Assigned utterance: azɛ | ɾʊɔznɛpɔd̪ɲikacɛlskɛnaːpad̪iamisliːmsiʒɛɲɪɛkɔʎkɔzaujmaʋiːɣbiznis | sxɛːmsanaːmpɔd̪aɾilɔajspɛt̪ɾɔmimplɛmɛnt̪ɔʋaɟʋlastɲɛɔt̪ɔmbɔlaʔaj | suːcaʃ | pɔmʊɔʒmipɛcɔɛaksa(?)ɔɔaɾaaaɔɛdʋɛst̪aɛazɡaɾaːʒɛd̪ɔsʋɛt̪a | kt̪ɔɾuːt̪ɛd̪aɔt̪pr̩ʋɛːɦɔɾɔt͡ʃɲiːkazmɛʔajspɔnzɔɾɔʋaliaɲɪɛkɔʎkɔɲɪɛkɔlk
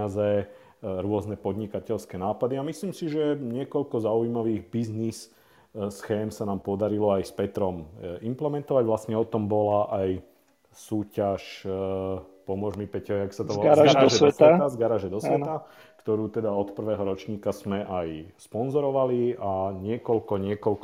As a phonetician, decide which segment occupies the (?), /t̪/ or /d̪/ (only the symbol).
t̪